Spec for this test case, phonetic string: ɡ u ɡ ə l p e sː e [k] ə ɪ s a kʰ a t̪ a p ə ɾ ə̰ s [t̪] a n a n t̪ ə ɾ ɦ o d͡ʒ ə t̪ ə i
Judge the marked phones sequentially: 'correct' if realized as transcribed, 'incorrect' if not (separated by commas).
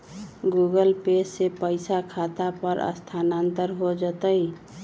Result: incorrect, incorrect